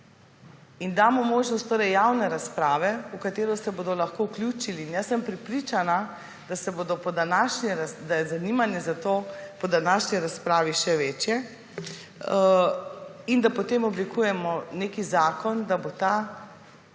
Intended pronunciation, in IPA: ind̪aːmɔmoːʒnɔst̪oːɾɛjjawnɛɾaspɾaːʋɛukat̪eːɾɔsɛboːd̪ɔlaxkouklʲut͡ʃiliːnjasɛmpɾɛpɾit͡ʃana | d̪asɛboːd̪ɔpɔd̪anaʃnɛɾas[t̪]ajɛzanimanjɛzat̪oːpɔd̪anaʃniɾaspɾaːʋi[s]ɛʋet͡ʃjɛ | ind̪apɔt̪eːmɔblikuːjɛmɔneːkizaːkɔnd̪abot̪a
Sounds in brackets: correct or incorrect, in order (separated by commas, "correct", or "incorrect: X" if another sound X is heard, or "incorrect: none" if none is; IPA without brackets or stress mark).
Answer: incorrect: d̪, incorrect: ʃ